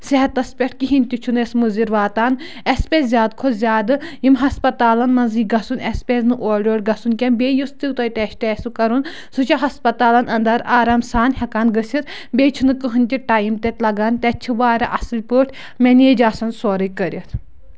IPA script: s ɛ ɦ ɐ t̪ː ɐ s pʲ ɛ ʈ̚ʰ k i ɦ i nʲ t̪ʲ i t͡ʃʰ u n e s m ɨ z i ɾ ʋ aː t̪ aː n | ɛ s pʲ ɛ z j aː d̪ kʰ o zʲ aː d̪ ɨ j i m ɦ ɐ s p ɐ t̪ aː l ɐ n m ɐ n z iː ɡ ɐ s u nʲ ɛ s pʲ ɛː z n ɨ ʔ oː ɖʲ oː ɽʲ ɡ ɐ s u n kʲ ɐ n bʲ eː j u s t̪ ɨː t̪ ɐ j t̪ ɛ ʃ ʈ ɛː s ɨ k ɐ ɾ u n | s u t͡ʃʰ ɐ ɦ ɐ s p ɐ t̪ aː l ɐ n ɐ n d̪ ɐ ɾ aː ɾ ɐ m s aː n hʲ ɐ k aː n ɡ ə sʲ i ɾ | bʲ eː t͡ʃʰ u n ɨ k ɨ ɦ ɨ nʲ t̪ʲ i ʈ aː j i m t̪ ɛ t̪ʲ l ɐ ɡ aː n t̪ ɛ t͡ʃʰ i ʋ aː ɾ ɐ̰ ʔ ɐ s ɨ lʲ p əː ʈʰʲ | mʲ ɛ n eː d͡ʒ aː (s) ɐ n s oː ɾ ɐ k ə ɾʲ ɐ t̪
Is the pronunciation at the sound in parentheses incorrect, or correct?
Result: correct